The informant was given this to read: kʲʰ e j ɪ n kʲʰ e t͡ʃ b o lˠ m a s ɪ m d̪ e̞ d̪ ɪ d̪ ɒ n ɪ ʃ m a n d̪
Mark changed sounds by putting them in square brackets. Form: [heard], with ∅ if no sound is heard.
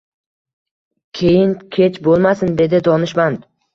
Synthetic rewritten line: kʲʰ e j ɪ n kʲʰ e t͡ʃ b o lˠ m a s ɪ [n] d̪ e̞ d̪ ɪ d̪ ɒ n ɪ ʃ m a n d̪